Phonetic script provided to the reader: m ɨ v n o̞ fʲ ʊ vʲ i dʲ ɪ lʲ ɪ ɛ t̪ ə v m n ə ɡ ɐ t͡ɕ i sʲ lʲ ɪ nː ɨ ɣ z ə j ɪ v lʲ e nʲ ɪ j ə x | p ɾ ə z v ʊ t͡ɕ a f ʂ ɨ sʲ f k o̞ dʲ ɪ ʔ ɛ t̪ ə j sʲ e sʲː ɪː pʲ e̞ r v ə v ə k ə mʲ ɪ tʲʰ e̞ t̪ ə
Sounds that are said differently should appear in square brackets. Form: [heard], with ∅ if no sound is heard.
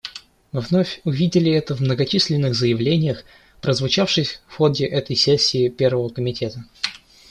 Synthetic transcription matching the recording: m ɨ v n o̞ fʲ ʊ vʲ i dʲ ɪ lʲ ɪ ɛ t̪ ə v m n ə ɡ ɐ t͡ɕ i sʲ lʲ ɪ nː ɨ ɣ z ə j ɪ v lʲ e nʲ ɪ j ə x | p ɾ ə z v ʊ t͡ɕ a f ʂ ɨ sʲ f [x] o̞ dʲ ɪ ʔ ɛ t̪ ə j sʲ e sʲː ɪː pʲ e̞ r v ə v ə k ə mʲ ɪ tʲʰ e̞ t̪ ə